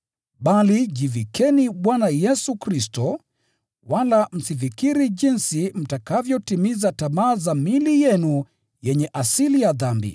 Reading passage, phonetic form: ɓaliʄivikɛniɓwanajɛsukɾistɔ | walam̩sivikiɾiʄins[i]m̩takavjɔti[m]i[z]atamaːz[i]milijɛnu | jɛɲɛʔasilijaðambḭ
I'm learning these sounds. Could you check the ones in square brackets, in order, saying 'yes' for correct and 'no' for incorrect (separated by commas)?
yes, yes, yes, no